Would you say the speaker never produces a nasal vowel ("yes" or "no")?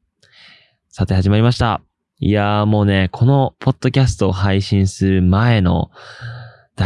no